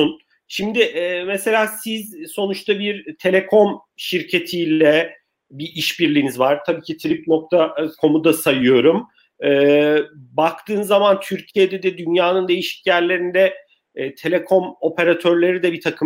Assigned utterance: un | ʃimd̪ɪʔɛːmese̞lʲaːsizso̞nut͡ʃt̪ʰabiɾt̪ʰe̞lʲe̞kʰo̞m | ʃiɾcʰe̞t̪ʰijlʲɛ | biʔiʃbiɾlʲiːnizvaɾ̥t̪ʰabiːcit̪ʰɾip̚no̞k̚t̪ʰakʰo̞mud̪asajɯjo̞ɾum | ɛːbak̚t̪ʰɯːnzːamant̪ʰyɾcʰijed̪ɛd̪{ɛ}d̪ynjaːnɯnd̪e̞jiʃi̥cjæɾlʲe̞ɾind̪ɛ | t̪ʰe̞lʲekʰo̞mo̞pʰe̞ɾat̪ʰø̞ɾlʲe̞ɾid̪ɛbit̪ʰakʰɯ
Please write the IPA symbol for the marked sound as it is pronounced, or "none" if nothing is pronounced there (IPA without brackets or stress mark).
ɛ